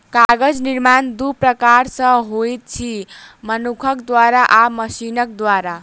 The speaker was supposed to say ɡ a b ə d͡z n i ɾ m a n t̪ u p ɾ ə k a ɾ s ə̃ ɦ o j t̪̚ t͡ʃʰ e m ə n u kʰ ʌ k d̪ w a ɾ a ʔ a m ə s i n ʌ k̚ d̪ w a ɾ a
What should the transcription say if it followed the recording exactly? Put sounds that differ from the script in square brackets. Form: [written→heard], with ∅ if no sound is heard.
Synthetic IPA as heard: [ɡ→k] a [b→ɡ] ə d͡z n i ɾ m a n [t̪→d̪] u p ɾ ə k a ɾ s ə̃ ɦ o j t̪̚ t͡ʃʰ [e→i] m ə n u kʰ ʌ k d̪ w a ɾ a ʔ a m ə s i n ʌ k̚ d̪ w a ɾ a